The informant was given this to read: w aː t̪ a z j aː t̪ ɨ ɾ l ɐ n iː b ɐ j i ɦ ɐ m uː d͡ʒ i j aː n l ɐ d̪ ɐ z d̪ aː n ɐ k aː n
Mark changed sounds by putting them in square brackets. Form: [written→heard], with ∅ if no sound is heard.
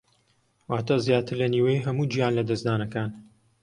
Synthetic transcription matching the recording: w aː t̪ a z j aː t̪ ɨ ɾ l ɐ n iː [b→w] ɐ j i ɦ ɐ m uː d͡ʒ i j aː n l ɐ d̪ ɐ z d̪ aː n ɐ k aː n